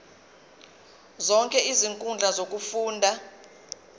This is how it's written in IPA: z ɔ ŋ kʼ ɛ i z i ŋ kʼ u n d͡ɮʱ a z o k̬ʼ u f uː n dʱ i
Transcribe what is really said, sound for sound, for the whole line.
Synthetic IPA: z ɔ ŋ kʼ ɛ i z i ŋ kʼ u n d͡ɮʱ a z o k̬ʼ u f uː n dʱ a